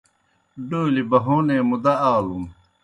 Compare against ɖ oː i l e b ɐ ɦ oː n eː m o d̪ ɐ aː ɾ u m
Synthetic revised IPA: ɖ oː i l i b ɐ ɦ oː n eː m u d̪ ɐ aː l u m